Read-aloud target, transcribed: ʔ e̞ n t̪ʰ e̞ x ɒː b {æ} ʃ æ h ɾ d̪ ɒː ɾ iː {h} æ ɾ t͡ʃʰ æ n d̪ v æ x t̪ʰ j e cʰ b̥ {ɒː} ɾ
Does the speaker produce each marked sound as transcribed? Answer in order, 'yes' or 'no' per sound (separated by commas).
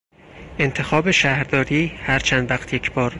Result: no, yes, yes